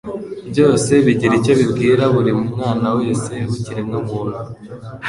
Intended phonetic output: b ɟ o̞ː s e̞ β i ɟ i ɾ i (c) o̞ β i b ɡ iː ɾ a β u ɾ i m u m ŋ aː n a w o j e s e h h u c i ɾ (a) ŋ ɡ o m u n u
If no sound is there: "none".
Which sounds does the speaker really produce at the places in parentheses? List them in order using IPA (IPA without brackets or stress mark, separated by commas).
c, e